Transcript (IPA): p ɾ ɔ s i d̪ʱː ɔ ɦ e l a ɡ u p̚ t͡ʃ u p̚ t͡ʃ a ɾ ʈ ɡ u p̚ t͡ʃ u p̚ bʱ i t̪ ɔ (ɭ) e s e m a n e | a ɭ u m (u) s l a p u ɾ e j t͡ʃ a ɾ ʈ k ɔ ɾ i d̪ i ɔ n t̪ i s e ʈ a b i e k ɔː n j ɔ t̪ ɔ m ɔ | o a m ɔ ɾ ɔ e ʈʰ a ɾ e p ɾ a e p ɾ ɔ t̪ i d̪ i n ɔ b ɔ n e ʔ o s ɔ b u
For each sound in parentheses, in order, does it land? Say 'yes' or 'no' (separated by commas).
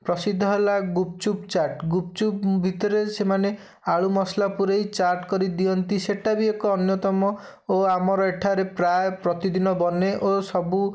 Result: no, no